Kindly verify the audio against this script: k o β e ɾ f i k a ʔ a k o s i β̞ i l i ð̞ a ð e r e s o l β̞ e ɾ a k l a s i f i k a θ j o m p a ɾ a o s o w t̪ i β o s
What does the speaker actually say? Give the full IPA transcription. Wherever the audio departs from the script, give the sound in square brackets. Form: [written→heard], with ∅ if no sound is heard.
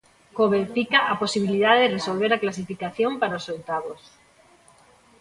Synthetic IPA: k o β e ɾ f i k a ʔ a [k→p] o s i β̞ i l i ð̞ a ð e r e s o l β̞ e ɾ a k l a s i f i k a θ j o m p a ɾ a o s o w t̪ [i→a] β o s